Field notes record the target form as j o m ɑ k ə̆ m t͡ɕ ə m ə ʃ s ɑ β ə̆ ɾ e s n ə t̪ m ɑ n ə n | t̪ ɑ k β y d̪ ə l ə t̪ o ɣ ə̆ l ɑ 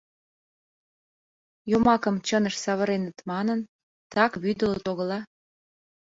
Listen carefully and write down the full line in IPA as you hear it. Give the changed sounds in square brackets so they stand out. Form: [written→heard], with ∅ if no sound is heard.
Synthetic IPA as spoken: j o m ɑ k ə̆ m t͡ɕ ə [m→n] ə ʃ s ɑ β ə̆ ɾ e [s→∅] n ə t̪ m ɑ n ə n | t̪ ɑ k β y d̪ ə l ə t̪ o ɣ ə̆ l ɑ